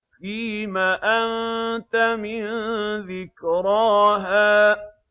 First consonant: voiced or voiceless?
voiceless